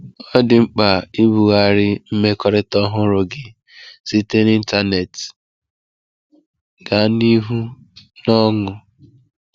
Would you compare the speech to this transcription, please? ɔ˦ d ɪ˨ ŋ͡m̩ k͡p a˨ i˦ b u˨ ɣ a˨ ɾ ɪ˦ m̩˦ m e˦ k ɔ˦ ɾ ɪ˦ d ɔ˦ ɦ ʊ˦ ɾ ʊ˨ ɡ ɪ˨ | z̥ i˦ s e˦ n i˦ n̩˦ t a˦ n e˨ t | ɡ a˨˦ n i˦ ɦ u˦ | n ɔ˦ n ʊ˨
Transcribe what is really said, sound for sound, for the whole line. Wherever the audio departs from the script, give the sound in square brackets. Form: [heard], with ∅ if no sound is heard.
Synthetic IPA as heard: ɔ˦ d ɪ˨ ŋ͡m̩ k͡p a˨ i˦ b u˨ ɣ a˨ ɾ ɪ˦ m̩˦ m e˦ k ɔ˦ ɾ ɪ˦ [t] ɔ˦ ɦ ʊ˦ ɾ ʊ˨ ɡ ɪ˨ | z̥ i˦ [t] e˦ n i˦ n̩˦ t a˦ n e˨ t | ɡ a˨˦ n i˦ ɦ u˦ | n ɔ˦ [ŋ] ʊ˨

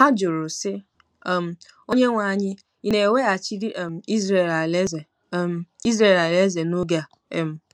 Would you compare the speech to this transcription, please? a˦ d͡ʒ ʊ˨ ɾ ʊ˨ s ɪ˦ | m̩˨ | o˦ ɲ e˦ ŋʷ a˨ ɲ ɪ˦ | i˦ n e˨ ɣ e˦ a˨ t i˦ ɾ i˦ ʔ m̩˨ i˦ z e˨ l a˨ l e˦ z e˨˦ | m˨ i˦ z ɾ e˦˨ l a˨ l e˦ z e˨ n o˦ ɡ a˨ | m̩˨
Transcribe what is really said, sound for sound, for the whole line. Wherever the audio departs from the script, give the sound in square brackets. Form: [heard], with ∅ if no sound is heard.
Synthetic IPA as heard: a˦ d͡ʒ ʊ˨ ɾ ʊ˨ s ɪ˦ | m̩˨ | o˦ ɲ e˦ ŋʷ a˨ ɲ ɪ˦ | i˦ n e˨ [w] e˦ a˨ [t͡ʃ] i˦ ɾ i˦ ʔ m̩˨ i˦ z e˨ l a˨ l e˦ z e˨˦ | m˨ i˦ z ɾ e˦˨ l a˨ l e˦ z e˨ n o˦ ɡ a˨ | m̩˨

